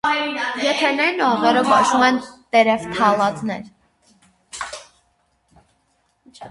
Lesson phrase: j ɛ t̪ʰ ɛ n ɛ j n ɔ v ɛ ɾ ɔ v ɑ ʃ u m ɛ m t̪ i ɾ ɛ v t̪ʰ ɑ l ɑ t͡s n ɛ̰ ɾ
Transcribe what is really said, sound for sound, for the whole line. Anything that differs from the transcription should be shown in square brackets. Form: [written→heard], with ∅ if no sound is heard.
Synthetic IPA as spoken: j ɛ t̪ʰ ɛ n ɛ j n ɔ [v→ʁ] ɛ ɾ ɔ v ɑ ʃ u m ɛ [m→n] t̪ [i→ɛ] ɾ ɛ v t̪ʰ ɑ l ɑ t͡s n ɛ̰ ɾ